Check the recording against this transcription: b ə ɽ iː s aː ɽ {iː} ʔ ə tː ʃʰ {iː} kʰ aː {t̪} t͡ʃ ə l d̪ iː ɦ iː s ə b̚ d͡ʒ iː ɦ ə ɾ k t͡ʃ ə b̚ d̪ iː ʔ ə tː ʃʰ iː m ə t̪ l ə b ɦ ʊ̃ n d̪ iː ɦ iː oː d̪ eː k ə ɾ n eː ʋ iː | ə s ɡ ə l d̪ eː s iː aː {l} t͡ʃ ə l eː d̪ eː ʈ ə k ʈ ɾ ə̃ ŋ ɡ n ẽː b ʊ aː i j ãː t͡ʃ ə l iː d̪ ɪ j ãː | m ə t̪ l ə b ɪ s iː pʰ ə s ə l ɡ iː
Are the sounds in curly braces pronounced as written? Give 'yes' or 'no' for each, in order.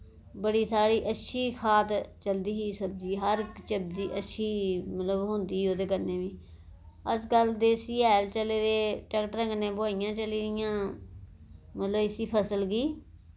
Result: yes, yes, yes, yes

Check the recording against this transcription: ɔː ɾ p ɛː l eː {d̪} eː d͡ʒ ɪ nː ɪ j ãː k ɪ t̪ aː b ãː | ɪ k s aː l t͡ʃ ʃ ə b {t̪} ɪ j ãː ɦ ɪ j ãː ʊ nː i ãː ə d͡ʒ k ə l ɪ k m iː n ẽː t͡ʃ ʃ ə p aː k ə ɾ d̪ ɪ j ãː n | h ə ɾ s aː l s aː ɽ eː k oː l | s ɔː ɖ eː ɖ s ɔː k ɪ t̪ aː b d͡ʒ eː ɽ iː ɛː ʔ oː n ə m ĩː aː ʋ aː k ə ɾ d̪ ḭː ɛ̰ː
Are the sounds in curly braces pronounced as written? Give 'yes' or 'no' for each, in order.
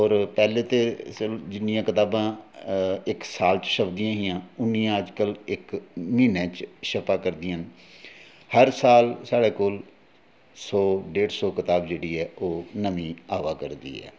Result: no, no

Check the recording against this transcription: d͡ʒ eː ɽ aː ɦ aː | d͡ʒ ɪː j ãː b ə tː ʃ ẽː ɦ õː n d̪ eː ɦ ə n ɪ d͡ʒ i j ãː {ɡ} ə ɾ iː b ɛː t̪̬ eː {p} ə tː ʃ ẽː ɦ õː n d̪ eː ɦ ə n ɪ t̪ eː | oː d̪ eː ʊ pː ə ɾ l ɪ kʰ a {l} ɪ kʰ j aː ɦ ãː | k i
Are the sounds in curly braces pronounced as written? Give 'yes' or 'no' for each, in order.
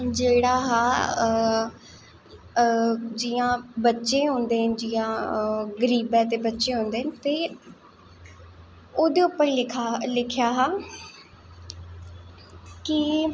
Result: yes, no, yes

